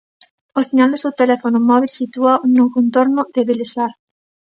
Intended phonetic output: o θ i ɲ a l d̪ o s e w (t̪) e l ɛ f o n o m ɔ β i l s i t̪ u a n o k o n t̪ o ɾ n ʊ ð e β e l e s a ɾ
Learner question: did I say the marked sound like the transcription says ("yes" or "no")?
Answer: yes